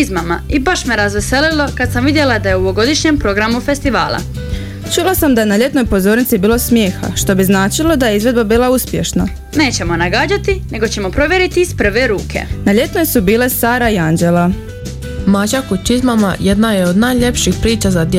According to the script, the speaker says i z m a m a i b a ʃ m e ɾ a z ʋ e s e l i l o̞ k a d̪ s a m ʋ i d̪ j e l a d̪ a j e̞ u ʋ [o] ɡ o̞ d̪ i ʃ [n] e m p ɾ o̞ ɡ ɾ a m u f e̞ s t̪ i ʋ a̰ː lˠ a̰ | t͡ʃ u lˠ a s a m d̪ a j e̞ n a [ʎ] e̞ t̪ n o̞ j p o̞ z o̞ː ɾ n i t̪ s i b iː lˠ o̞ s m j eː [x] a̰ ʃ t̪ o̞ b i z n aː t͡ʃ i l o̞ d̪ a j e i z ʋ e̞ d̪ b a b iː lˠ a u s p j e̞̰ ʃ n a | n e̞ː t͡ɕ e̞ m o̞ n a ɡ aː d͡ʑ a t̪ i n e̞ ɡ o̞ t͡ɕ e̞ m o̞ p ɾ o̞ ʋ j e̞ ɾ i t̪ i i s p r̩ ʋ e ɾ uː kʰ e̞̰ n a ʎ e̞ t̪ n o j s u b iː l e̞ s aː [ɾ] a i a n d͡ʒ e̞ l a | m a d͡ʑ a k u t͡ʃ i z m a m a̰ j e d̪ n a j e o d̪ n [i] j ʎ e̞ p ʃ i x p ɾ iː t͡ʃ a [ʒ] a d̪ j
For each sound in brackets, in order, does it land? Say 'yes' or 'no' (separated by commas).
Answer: yes, no, yes, yes, yes, no, no